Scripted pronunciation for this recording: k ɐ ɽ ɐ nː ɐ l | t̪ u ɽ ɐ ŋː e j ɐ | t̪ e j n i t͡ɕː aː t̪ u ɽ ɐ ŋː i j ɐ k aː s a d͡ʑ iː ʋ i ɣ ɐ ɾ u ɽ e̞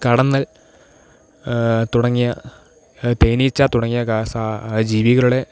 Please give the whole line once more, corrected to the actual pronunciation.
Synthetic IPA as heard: k ɐ ɽ ɐ nː ɐ l | t̪ u ɽ ɐ ŋː i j ɐ | t̪ e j n i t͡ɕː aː t̪ u ɽ ɐ ŋː i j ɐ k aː s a d͡ʑ iː ʋ i ɣ ɐ ɭ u ɽ e̞